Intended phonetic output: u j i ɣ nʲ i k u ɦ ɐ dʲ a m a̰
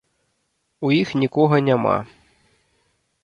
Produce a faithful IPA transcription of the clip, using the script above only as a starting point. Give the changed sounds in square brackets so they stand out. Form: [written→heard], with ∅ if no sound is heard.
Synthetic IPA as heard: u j i [ɣ→x] nʲ i k [u→ɔ] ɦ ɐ [dʲ→nʲ] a m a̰